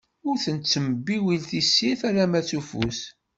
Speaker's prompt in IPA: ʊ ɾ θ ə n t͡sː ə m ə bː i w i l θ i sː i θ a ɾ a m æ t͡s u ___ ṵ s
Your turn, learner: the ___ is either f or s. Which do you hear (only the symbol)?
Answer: f